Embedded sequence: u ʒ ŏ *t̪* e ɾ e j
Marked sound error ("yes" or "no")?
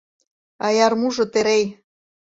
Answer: no